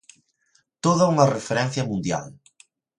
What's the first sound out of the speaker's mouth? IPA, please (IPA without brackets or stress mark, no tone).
t̪